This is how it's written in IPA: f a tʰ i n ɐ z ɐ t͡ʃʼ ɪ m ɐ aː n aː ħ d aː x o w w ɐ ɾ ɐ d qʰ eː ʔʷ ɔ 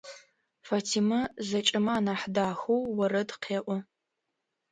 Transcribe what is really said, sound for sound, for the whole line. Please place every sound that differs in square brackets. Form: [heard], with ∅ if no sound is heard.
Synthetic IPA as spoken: f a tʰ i [m] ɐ z ɐ t͡ʃʼ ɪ m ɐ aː n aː ħ d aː x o w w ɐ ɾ ɐ d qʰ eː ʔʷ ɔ